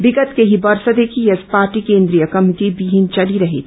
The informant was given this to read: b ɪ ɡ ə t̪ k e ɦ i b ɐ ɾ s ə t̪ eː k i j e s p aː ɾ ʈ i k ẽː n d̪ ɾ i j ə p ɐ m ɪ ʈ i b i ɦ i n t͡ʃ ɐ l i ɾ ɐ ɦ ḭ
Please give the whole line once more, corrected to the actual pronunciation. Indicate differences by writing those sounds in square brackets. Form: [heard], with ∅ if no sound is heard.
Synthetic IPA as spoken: b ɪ ɡ ə t̪ k e ɦ i b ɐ ɾ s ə [d̪] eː k i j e s p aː ɾ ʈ i k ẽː n d̪ ɾ i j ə [k] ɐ m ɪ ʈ i b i ɦ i n t͡ʃ ɐ l i ɾ ɐ ɦ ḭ